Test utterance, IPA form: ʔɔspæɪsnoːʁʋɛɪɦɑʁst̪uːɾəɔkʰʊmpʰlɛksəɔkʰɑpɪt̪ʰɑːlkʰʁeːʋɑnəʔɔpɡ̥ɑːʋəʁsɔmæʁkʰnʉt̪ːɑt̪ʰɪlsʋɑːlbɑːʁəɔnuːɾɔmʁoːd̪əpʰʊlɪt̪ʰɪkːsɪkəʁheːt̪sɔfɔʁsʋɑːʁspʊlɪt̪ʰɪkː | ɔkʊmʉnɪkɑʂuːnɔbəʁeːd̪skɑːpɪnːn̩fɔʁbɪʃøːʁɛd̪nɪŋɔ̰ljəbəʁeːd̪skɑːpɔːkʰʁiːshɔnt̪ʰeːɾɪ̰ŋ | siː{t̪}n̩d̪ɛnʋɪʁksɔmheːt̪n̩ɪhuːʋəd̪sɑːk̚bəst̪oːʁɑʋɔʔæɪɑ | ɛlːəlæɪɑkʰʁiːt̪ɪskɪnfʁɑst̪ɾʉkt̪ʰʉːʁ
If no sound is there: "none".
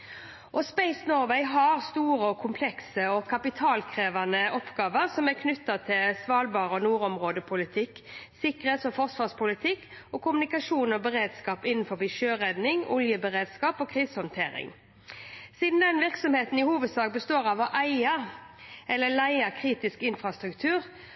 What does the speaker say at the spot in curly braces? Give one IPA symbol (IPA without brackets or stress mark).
d̪